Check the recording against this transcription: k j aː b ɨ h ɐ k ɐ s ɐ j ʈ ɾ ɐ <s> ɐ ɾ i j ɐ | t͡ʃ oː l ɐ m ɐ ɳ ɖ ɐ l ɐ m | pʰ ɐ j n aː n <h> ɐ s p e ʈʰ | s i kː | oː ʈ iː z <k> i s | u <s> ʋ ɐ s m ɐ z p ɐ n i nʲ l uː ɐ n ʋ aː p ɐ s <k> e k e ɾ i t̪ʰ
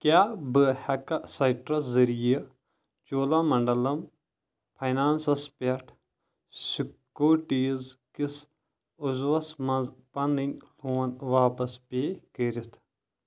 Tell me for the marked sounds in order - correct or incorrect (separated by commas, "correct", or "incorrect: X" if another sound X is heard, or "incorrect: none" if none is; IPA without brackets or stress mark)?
incorrect: z, incorrect: s, correct, incorrect: z, incorrect: p